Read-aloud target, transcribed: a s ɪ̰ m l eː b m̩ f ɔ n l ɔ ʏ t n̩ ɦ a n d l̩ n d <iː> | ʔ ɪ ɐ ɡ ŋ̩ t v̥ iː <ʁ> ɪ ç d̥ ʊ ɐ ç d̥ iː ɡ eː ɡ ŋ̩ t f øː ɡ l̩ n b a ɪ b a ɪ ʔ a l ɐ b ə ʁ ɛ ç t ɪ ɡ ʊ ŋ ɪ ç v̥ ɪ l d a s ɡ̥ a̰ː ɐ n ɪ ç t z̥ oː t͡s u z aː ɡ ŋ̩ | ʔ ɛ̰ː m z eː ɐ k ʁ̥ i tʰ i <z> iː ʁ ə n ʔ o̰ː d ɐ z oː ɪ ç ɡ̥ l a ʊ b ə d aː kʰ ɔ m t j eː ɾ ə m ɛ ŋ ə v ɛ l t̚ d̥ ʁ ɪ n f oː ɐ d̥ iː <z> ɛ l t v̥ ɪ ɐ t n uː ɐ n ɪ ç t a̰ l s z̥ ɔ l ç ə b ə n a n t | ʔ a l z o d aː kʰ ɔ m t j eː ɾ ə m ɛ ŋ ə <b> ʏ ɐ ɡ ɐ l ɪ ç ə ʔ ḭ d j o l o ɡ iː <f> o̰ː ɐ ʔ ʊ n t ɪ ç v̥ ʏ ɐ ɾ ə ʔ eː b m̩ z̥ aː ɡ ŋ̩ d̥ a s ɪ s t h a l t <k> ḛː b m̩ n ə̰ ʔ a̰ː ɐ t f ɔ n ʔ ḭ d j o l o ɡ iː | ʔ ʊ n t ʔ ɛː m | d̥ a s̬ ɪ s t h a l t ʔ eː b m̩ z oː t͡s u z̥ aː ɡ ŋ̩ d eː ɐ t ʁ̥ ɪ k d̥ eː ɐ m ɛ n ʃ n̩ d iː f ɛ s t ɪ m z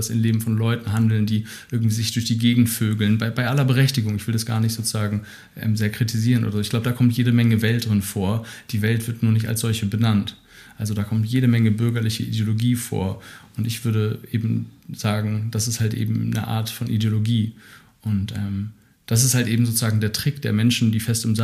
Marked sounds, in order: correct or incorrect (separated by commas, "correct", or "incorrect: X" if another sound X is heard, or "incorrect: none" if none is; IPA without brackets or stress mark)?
correct, incorrect: z, correct, incorrect: v, correct, correct, incorrect: ʔ